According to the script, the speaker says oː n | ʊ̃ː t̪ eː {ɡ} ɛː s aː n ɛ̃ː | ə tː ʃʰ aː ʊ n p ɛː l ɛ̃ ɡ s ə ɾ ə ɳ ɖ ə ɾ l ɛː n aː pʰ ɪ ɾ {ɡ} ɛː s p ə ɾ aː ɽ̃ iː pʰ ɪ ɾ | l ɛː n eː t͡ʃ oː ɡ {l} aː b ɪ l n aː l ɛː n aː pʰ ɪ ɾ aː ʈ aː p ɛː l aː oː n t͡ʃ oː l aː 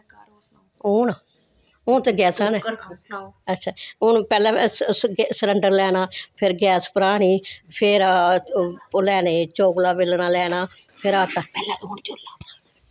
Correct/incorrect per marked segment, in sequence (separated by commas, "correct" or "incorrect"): correct, correct, correct